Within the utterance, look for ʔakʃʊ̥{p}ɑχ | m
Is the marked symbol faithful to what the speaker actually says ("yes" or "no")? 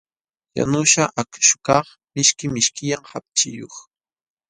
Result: no